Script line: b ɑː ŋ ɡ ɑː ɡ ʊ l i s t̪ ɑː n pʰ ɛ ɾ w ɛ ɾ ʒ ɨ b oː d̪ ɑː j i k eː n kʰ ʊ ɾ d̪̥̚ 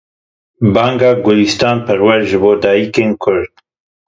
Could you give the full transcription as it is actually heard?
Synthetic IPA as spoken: b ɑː ŋ ɡ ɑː ɡ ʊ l i s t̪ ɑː n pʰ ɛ ɾ w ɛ ɾ ʒ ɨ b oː d̪ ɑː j i k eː n kʰ ʊ ɾ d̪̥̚